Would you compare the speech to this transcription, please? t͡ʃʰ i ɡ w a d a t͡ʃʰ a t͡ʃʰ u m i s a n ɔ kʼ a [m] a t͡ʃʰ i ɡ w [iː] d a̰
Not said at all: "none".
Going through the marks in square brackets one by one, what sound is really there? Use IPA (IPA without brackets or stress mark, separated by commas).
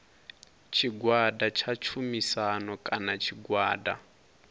n, aː